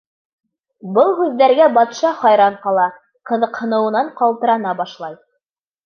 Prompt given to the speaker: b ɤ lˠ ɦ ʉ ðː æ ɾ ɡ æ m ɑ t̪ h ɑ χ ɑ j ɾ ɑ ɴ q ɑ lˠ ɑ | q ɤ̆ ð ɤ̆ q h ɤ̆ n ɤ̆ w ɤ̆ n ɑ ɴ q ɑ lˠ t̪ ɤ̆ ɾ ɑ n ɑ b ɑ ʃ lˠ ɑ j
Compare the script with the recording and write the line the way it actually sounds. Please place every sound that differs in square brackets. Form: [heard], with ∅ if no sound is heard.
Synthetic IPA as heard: b ɤ lˠ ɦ ʉ ðː æ ɾ ɡ æ [b] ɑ t̪ [ʃ] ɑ χ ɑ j ɾ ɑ ɴ q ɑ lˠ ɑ | q ɤ̆ ð ɤ̆ q h ɤ̆ n ɤ̆ w ɤ̆ n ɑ ɴ q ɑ lˠ t̪ ɤ̆ ɾ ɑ n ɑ b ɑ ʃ lˠ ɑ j